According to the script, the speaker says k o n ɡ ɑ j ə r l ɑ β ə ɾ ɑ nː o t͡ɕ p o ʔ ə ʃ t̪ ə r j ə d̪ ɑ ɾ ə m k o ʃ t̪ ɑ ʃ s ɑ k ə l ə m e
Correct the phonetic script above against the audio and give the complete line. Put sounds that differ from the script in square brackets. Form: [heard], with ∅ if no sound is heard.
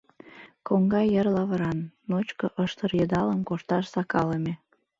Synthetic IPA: k o [ŋ] ɡ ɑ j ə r l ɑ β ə ɾ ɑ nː o t͡ɕ [k] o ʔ ə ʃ t̪ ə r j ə d̪ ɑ [l] ə m k o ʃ t̪ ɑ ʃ s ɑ k [ɑ] l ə m e